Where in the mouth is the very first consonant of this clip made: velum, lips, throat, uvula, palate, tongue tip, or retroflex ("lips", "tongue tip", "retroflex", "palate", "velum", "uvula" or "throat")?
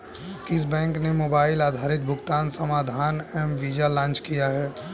velum